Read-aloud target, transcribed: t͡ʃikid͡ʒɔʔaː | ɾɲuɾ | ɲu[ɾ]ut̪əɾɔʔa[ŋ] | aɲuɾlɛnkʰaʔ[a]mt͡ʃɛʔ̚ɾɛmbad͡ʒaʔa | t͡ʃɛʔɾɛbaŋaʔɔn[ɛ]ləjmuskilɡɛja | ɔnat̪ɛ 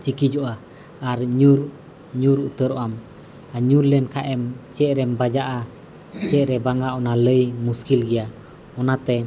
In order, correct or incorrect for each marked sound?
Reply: correct, incorrect: m, incorrect: ɛ, incorrect: a

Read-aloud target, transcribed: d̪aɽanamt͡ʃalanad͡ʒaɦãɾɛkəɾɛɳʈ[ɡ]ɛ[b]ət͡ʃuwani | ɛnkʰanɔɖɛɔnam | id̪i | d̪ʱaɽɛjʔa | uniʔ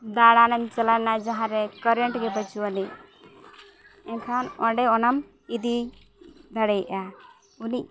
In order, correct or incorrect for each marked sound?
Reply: correct, correct

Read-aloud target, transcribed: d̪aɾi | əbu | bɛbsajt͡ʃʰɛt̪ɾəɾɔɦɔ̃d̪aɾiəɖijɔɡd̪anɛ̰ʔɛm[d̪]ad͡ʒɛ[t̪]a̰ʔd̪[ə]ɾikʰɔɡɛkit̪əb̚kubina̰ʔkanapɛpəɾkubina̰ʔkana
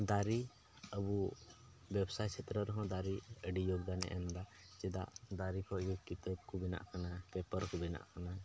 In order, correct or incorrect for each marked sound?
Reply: correct, incorrect: d̪, incorrect: a

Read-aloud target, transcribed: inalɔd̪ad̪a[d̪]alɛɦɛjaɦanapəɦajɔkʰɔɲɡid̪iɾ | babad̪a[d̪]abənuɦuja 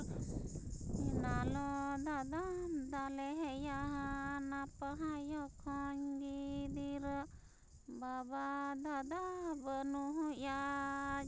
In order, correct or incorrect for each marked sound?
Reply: correct, correct

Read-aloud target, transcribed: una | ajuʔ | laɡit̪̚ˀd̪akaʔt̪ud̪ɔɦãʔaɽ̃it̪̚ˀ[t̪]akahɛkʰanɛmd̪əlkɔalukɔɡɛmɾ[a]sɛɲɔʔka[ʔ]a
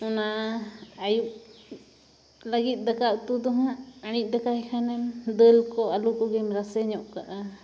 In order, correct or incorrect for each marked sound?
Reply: incorrect: d̪, correct, correct

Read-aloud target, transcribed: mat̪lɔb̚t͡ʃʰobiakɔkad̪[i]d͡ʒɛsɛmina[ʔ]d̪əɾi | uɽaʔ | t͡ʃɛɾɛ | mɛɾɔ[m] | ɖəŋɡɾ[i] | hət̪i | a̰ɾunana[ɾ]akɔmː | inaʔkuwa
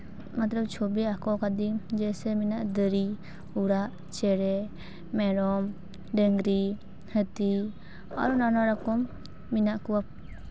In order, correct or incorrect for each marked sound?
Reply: correct, correct, correct, correct, correct

